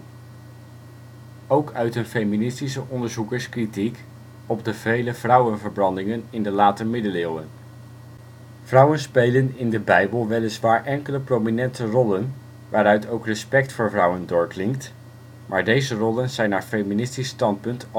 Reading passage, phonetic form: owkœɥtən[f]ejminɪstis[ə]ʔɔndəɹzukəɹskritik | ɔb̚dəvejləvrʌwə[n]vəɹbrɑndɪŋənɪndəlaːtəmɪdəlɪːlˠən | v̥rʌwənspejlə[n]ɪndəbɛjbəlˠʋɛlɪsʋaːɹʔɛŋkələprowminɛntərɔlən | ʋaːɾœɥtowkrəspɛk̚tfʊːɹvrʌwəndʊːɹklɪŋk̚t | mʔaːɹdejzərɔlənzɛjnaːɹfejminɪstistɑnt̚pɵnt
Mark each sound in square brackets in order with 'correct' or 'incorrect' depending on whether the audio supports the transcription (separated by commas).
correct, correct, correct, correct